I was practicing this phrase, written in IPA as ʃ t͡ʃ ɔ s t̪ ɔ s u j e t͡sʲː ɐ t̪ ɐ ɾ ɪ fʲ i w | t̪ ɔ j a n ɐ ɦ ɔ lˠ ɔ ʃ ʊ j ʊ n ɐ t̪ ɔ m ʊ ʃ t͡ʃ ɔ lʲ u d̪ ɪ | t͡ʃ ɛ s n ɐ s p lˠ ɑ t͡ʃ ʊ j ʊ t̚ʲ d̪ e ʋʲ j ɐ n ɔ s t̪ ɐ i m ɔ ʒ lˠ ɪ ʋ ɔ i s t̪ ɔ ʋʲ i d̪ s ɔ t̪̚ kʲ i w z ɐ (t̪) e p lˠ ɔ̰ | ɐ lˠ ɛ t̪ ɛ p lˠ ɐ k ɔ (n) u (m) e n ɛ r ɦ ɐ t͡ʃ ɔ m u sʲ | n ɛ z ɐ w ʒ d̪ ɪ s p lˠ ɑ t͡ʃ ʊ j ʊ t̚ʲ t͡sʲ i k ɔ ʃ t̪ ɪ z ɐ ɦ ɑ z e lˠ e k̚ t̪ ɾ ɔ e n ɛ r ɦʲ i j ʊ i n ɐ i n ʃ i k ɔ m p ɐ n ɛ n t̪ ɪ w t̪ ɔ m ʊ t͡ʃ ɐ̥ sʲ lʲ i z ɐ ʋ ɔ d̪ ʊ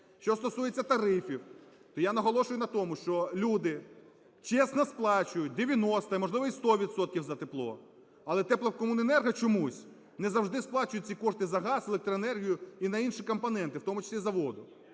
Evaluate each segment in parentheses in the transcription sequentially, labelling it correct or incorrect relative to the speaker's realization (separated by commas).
correct, incorrect, incorrect